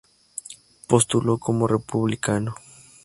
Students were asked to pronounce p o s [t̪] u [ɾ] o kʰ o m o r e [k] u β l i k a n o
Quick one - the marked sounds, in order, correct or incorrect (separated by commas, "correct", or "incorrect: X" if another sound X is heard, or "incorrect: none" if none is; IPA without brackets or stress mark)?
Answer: correct, incorrect: l, incorrect: p